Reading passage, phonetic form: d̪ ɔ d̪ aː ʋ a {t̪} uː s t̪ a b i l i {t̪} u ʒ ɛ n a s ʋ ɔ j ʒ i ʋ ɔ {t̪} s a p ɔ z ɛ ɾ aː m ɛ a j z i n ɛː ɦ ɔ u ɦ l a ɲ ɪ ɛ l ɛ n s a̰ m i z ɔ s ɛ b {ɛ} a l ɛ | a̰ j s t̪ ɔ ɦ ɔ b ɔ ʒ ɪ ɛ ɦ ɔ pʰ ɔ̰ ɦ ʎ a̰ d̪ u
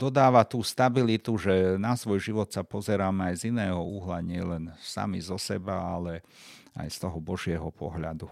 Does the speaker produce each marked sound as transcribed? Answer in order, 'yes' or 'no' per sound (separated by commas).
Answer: yes, yes, yes, no